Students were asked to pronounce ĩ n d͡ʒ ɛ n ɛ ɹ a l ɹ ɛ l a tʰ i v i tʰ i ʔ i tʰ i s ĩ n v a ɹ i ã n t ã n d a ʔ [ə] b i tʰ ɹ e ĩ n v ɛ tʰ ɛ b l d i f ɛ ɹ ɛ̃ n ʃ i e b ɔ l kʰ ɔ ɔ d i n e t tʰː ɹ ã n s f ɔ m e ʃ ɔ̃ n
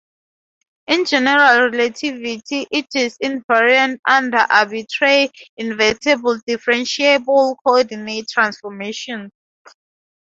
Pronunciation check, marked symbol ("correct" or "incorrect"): incorrect